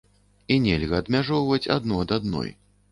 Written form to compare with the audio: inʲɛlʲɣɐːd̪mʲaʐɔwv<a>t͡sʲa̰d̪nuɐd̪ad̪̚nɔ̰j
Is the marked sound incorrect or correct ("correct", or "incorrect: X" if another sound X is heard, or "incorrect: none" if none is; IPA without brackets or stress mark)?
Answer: incorrect: ɐ